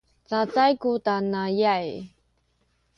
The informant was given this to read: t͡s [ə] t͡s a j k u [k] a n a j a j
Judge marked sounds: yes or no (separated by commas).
no, no